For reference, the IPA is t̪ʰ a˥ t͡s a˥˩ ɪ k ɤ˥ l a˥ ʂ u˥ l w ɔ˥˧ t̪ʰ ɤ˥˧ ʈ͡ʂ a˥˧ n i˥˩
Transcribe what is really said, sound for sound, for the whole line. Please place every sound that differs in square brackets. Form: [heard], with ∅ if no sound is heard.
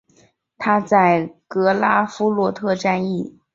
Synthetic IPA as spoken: t̪ʰ a˥ t͡s a˥˩ ɪ k [ɤ˧˥] l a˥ [f] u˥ l w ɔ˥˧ t̪ʰ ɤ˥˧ ʈ͡ʂ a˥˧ n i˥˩